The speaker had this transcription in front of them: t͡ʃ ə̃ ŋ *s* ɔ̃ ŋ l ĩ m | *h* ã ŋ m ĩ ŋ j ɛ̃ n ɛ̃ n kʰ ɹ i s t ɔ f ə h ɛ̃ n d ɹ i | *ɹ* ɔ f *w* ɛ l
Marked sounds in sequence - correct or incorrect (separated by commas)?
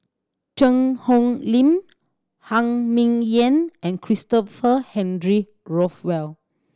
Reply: incorrect, correct, correct, correct